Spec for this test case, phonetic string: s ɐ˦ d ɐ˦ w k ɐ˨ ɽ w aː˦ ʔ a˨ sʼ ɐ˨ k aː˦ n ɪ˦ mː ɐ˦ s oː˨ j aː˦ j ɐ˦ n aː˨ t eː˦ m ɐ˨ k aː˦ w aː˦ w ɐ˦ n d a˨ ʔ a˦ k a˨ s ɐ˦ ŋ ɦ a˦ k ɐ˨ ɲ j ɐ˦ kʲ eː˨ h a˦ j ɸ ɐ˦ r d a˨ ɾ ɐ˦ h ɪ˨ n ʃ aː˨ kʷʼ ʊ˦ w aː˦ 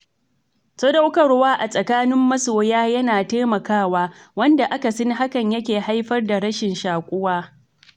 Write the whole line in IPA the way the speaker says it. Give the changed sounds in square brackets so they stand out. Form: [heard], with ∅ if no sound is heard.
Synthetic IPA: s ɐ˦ d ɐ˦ w k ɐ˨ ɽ w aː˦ ʔ a˨ sʼ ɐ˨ k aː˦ n ɪ˦ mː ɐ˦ s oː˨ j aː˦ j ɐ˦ n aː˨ t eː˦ m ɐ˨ k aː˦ w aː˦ w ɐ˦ n d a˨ ʔ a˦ k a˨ s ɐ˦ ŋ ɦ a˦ k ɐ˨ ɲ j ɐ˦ kʲ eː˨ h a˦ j ɸ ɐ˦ r d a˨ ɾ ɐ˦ [ʃ] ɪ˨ n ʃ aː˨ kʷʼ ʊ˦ w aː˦

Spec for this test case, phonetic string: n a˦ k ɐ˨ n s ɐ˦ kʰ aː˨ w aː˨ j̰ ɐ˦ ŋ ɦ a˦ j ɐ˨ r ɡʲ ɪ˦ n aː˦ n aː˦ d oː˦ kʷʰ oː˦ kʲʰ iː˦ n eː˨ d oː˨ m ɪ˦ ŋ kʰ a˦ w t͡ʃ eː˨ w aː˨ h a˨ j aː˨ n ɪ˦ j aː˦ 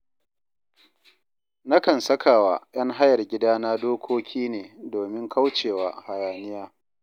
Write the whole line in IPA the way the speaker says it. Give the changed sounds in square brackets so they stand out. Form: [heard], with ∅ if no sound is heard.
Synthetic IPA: n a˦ k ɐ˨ n s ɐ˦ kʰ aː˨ w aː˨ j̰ ɐ˦ ŋ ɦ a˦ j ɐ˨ r ɡʲ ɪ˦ [d] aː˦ n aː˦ d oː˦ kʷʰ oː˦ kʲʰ iː˦ n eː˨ d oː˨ m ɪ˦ ŋ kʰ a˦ w t͡ʃ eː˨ w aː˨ h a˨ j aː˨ n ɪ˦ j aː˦

